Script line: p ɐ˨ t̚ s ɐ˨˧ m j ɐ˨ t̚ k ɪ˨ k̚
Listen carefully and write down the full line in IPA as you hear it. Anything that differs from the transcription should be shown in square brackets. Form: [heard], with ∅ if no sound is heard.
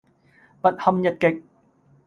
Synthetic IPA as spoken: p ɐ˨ t̚ [h] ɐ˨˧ m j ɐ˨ t̚ k ɪ˨ k̚